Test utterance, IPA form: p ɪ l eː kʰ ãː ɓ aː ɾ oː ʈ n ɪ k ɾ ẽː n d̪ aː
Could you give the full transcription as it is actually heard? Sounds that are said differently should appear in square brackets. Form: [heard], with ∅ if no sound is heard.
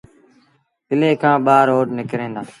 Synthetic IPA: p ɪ l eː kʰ ãː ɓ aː ɾ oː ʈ n ɪ k ɾ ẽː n d̪ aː